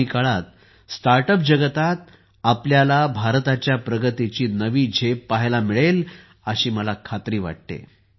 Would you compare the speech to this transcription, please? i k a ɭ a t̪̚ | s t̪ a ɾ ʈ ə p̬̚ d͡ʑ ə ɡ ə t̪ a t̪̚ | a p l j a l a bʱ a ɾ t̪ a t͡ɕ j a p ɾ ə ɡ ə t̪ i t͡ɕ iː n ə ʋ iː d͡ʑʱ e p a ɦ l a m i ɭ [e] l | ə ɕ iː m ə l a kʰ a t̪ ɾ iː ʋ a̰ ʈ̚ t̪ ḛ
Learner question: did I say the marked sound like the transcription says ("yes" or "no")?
yes